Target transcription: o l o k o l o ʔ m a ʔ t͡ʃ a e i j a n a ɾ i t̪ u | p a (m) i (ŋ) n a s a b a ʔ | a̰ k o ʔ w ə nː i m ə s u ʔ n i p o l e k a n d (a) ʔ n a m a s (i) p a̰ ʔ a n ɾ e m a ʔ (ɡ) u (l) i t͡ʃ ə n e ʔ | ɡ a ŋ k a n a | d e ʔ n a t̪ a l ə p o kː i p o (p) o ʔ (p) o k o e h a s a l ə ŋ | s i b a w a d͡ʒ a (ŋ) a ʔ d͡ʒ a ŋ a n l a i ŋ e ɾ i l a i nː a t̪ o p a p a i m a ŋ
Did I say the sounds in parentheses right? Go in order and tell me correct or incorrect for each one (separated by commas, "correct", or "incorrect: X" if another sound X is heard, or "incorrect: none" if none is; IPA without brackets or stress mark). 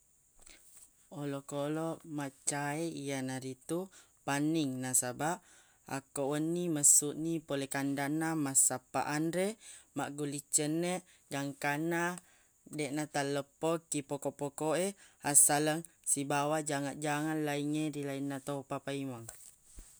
incorrect: n, correct, correct, incorrect: a, correct, correct, incorrect: k, correct, correct